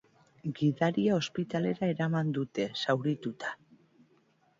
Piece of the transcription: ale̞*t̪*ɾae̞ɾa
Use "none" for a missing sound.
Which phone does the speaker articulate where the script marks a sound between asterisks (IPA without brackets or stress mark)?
none